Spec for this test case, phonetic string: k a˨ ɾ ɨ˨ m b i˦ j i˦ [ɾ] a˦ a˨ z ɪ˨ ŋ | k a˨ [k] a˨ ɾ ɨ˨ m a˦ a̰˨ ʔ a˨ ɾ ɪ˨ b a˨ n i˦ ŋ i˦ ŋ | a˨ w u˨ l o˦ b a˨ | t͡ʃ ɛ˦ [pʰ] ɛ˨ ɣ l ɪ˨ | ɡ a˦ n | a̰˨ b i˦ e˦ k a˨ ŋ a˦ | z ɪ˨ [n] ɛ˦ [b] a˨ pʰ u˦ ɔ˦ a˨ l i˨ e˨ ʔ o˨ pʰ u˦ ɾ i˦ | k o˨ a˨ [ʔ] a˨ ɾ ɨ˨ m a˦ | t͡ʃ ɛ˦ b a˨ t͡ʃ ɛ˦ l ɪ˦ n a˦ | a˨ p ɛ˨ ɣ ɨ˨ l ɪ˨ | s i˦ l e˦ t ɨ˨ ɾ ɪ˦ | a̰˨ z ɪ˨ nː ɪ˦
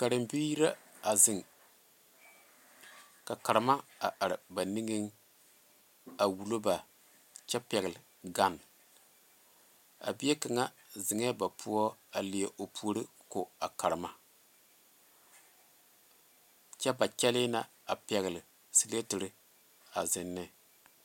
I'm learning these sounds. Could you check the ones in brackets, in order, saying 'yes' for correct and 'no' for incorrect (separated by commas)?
yes, yes, no, no, yes, no